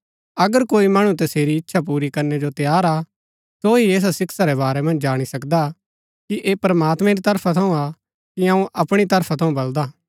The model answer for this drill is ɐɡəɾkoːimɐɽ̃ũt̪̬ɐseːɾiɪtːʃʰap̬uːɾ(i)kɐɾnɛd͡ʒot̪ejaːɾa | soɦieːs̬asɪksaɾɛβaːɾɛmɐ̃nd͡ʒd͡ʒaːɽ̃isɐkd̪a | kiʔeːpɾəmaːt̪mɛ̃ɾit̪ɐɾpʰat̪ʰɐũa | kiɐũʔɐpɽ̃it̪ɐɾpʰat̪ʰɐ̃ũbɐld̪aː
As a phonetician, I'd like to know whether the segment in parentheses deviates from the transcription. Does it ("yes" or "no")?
no